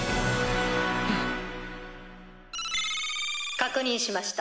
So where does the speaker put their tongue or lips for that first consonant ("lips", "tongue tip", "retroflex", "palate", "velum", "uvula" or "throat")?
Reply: velum